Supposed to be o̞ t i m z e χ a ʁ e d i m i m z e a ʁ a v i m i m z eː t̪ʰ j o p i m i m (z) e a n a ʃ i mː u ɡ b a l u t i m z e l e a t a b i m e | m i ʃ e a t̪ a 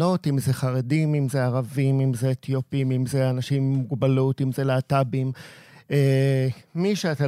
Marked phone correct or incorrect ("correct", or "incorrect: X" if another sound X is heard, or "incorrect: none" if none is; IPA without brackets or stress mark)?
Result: correct